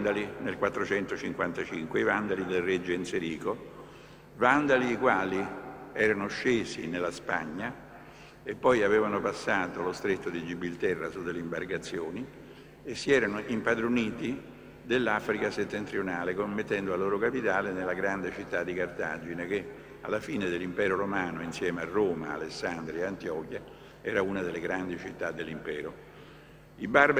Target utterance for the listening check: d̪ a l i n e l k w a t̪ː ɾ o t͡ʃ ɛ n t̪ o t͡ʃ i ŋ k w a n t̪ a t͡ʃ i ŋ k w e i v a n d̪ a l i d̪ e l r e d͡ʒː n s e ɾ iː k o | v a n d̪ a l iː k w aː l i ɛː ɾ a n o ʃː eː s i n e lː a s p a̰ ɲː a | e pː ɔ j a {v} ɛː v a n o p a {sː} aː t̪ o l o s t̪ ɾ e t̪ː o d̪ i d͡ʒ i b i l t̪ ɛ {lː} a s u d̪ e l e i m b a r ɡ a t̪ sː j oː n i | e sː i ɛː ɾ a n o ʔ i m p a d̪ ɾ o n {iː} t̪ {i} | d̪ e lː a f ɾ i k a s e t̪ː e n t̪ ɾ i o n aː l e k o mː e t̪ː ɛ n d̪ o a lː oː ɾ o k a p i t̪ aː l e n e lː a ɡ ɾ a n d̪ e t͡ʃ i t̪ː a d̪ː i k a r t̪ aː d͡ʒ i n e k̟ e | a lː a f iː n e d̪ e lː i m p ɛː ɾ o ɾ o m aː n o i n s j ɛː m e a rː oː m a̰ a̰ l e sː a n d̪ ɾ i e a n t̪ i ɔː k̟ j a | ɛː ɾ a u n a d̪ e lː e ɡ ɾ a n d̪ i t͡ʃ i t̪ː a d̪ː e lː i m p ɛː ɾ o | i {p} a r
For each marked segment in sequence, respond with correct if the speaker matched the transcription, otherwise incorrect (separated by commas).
correct, correct, incorrect, correct, correct, incorrect